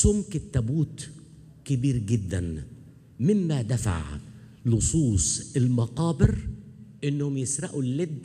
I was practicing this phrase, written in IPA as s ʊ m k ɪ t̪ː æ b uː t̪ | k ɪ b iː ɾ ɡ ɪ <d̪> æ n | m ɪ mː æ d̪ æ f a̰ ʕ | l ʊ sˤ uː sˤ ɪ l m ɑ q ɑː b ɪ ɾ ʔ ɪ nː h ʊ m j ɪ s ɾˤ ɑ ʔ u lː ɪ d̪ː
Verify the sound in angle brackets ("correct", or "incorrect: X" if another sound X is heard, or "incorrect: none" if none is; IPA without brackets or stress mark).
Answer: incorrect: d̪ː